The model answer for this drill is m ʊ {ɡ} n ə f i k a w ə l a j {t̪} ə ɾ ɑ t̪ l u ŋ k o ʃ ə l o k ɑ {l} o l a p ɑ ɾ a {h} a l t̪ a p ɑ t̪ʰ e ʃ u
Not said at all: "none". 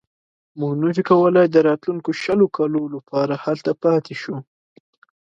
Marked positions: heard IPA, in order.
ɡ, d̪, l, h

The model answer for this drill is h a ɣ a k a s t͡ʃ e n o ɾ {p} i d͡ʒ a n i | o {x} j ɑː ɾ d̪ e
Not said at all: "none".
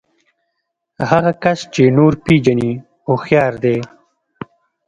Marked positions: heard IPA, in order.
p, x

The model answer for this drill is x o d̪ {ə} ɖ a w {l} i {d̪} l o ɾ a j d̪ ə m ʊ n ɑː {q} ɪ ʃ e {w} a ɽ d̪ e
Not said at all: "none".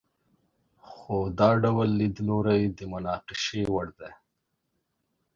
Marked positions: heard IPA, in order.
ɑ, lː, d̪, q, w

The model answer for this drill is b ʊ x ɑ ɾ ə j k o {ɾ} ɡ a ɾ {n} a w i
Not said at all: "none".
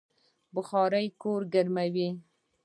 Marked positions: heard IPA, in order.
ɾ, m

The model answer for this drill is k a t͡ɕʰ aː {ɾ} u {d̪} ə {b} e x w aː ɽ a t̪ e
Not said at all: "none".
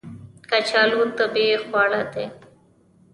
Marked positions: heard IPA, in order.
l, t̪, b

